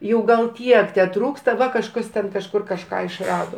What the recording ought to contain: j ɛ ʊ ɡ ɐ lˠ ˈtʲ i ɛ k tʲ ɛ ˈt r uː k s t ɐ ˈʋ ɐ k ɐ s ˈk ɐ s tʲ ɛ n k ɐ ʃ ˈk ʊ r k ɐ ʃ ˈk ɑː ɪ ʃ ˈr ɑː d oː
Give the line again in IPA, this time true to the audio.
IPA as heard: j ɛ ʊ ɡ ɐ lˠ ˈtʲ i ɛ k tʲ ɛ ˈt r uː k s t ɐ ˈʋ ɐ k ɐ ʃ ˈk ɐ s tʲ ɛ n k ɐ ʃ ˈk ʊ r k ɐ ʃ ˈk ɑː ɪ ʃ ˈr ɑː d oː